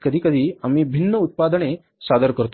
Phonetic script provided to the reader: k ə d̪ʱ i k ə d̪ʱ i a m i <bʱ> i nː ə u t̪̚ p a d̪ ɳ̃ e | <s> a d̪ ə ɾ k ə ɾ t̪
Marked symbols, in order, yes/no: yes, yes

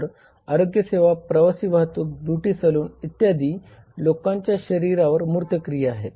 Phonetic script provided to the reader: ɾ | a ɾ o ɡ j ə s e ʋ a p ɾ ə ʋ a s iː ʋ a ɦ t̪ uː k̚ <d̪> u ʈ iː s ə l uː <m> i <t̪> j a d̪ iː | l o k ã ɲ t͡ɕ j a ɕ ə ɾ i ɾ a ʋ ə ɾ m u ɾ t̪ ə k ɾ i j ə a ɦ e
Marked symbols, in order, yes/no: yes, no, yes

